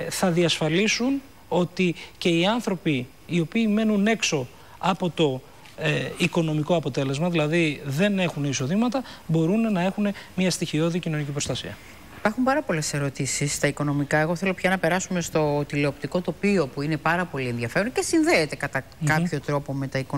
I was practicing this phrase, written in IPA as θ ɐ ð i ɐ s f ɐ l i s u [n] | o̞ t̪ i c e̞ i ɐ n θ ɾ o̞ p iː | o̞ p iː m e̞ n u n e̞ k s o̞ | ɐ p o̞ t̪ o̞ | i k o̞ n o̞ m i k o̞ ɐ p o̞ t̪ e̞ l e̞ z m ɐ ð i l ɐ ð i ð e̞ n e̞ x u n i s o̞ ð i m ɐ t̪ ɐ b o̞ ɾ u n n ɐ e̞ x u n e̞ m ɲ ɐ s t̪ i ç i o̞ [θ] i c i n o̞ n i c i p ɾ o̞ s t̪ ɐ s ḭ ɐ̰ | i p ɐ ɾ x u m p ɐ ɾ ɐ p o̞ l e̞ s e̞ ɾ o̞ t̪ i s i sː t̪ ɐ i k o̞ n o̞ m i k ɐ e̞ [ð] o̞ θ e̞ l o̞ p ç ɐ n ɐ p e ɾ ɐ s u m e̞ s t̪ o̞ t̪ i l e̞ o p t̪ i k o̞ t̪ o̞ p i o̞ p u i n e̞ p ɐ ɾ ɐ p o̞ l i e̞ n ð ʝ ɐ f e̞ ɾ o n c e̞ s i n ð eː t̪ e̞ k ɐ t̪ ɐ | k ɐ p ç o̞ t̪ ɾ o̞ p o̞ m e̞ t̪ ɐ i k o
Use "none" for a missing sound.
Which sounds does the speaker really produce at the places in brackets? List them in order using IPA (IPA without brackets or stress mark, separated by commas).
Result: n, ð, ɣ